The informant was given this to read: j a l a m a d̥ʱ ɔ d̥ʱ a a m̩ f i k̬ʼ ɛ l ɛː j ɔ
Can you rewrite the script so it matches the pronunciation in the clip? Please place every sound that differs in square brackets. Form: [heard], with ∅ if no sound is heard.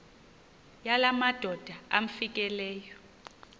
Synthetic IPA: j a l a m a d̥ʱ ɔ d̥ʱ a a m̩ f i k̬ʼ ɛ l ɛː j ɔ